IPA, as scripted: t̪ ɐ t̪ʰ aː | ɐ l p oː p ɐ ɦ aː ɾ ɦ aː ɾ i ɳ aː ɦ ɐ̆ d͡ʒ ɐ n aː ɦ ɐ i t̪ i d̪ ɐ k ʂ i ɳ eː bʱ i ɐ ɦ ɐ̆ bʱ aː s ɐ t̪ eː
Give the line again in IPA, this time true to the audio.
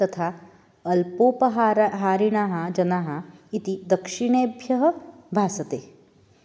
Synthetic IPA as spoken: t̪ ɐ t̪ʰ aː | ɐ l p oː p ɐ ɦ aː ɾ ɦ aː ɾ i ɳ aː ɦ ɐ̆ d͡ʒ ɐ n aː ɦ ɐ i t̪ i d̪ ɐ k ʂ i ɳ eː bʱ j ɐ ɦ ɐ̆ bʱ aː s ɐ t̪ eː